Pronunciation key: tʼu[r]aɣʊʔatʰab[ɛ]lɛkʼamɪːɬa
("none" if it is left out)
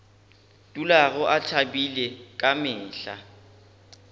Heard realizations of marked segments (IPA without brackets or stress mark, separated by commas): l, i